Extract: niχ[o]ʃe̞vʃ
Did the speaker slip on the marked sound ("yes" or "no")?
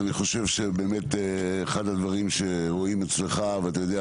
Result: no